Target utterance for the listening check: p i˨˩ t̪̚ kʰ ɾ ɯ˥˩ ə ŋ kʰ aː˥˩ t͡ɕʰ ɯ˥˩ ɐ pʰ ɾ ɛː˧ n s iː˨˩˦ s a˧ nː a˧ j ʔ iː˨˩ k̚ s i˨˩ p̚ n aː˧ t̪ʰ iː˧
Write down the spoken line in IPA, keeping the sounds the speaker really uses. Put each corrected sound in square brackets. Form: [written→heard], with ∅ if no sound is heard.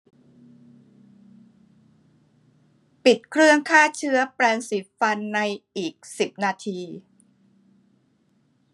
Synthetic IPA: p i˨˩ t̪̚ kʰ ɾ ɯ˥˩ ə ŋ kʰ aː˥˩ t͡ɕʰ [ɯ˥˩→ɯ˦˥] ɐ [pʰ→p] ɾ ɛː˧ n s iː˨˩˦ [s→f] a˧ nː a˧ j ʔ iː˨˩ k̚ s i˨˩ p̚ n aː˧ t̪ʰ iː˧